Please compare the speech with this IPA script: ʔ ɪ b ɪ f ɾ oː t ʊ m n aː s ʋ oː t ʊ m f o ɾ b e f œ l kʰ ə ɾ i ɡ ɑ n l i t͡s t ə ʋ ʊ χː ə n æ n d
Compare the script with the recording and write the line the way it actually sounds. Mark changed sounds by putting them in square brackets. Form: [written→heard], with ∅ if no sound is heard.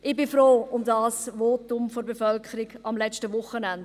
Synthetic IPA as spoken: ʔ ɪ b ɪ f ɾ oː [t→∅] ʊ m [n→d] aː s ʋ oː t ʊ m f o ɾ b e f œ l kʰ ə ɾ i ɡ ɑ [n→m] l [i→ɛ] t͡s t ə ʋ ʊ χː ə n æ n d